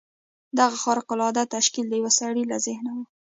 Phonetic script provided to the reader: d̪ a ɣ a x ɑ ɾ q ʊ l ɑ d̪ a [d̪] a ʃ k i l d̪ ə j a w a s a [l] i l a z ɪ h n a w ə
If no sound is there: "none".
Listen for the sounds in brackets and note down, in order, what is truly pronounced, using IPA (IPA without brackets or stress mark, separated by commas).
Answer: t̪, ɽ